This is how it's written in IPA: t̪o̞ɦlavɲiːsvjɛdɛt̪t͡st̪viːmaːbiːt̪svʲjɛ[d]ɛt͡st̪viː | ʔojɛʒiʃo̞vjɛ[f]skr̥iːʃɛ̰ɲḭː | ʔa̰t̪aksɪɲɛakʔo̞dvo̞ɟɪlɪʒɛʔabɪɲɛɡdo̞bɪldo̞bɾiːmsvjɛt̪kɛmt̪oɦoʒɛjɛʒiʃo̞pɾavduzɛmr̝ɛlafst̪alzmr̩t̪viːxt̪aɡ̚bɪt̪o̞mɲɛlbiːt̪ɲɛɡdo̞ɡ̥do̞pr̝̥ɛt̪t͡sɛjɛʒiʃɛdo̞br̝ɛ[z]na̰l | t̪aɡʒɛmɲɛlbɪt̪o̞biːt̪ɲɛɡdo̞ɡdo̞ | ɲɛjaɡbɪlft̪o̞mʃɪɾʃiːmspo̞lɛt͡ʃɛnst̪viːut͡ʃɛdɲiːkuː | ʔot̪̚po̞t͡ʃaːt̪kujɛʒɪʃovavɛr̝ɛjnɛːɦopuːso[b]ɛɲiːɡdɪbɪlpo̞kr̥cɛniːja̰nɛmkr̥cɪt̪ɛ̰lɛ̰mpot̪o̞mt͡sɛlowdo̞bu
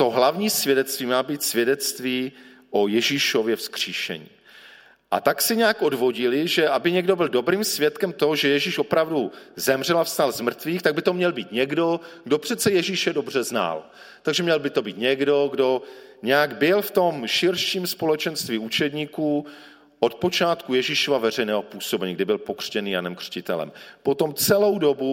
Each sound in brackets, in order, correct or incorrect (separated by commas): correct, correct, correct, correct